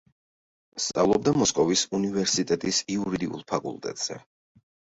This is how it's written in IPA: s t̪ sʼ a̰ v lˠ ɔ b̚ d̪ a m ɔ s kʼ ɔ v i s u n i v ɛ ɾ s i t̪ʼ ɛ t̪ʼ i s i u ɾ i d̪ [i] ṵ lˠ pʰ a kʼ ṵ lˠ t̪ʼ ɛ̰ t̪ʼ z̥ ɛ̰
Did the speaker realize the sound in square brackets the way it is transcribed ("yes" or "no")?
yes